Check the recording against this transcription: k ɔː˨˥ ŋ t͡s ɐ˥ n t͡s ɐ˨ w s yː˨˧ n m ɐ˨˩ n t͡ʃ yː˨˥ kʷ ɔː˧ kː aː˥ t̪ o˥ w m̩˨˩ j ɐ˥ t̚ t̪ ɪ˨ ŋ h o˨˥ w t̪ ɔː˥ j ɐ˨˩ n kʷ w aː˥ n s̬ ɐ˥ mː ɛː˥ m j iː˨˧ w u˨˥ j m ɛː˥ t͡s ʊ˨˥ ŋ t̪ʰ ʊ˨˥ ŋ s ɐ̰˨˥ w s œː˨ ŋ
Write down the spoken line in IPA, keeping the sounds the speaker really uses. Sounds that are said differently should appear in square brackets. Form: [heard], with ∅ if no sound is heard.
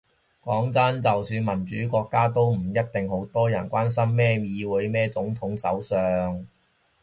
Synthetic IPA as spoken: k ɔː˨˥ ŋ t͡s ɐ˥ n t͡s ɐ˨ w s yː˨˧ n m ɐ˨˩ n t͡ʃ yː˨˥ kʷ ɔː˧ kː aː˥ t̪ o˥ w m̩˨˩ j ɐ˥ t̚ t̪ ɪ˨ ŋ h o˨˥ w t̪ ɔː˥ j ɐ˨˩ n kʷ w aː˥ n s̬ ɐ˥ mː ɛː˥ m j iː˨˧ w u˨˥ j m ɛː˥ t͡s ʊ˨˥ ŋ t̪ʰ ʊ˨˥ ŋ s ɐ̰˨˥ w s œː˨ ŋ